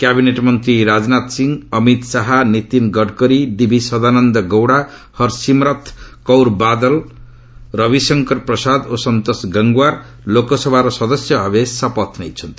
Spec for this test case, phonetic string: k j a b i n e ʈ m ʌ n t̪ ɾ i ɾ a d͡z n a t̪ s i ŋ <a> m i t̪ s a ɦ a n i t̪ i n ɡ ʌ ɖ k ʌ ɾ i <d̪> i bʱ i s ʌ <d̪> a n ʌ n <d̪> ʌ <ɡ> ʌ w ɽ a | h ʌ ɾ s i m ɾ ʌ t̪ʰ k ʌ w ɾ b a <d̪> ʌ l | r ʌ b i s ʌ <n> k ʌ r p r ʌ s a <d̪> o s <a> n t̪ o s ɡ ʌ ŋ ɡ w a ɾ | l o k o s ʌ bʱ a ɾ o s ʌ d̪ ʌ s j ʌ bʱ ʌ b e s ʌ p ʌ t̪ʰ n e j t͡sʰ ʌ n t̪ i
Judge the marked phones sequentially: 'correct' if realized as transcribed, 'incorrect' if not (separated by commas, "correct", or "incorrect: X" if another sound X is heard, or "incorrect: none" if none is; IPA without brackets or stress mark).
incorrect: ʌ, correct, correct, correct, correct, correct, incorrect: ŋ, correct, incorrect: ʌ